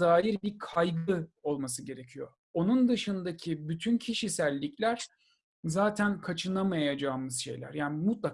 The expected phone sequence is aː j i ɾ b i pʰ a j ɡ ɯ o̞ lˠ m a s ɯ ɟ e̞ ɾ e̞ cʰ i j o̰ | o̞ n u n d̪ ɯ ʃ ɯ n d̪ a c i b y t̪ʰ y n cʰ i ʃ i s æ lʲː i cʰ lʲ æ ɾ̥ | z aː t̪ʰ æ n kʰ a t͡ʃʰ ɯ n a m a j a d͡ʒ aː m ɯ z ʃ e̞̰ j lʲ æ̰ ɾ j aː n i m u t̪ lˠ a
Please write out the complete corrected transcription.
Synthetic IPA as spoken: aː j i ɾ b i kʰ a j ɡ ɯ o̞ lˠ m a s ɯ ɟ e̞ ɾ e̞ cʰ i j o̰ | o̞ n u n d̪ ɯ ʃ ɯ n d̪ a cʰ i b y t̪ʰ y n cʰ i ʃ i s æ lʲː i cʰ lʲ æ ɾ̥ | z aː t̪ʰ æ n kʰ a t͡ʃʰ ɯ n a m a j a d͡ʒ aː m ɯ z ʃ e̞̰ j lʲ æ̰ ɾ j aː n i m u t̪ lˠ a